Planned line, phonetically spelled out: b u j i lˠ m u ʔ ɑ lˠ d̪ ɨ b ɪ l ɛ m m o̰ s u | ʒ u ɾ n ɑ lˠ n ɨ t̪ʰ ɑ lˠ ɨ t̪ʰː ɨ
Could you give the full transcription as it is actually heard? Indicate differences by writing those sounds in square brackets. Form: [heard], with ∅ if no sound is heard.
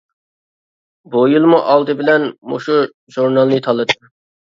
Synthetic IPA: b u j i lˠ m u ʔ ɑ lˠ d̪ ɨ b ɪ l ɛ [n] m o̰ [ʃ] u | ʒ u ɾ n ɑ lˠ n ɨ t̪ʰ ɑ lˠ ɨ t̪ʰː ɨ